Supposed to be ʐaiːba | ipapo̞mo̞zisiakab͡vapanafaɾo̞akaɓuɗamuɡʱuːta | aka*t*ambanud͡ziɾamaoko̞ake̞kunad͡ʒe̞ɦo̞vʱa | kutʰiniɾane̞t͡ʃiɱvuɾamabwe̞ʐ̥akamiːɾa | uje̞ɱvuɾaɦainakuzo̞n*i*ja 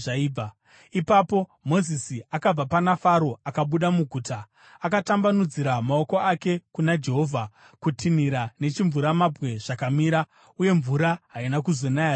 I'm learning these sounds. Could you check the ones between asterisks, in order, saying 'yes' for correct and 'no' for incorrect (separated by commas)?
yes, no